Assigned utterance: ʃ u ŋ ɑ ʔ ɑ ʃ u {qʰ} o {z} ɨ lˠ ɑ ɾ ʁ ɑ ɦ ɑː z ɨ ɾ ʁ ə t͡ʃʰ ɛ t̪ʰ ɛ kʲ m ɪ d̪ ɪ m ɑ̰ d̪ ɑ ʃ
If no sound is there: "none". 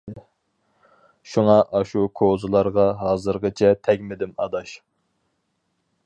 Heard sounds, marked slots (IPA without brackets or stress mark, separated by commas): kʰ, z